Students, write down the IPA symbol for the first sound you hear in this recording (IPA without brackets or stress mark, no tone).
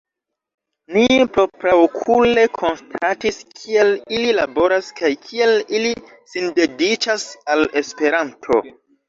n